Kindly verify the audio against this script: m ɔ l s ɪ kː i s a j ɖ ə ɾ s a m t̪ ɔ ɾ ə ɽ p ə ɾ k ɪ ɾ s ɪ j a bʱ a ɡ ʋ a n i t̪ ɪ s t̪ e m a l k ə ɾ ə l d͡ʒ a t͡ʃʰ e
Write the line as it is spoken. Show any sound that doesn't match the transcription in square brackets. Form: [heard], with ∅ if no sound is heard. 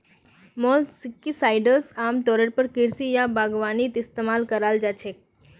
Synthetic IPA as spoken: m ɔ l s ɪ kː i s a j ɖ ə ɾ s a m t̪ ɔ ɾ ə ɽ p ə ɾ k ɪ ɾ s [i] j a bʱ a ɡ ʋ a n i t̪ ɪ s t̪ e m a l k ə ɾ [a] l d͡ʒ a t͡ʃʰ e